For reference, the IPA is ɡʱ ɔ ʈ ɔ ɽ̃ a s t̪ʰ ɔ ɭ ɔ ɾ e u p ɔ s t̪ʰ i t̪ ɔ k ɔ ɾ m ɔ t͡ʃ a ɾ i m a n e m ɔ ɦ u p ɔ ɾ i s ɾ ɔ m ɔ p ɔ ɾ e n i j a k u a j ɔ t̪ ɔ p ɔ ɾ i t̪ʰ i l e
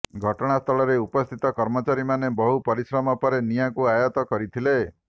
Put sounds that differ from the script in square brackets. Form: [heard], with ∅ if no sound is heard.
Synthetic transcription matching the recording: ɡʱ ɔ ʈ ɔ ɽ̃ a s t̪ʰ ɔ ɭ ɔ ɾ e u p ɔ s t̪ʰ i t̪ ɔ k ɔ ɾ m ɔ t͡ʃ a ɾ i m a n e [b] ɔ ɦ u p ɔ ɾ i s ɾ ɔ m ɔ p ɔ ɾ e n i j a k u a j ɔ t̪ ɔ [k] ɔ ɾ i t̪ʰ i l e